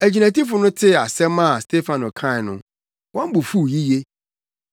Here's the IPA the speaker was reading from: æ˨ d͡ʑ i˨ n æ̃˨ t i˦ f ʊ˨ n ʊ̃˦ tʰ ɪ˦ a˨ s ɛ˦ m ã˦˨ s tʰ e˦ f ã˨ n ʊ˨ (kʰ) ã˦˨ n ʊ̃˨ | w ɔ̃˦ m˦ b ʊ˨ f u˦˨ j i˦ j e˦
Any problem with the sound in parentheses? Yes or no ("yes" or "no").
no